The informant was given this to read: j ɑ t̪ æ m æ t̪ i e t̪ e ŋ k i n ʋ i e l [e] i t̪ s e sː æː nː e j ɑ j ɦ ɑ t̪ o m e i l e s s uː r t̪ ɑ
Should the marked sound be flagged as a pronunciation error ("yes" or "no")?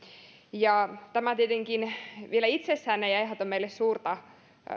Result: yes